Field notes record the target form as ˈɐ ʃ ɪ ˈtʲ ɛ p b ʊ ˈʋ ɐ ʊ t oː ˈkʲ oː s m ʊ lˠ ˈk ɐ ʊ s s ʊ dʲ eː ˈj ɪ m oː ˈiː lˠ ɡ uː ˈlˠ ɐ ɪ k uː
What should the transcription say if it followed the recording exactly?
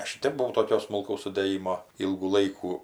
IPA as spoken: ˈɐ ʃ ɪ ˈtʲ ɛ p b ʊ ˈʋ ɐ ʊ t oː ˈkʲ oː s m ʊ lˠ ˈk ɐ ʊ s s ʊ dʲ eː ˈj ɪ m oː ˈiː lˠ ɡ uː ˈlˠ ɐ ɪ k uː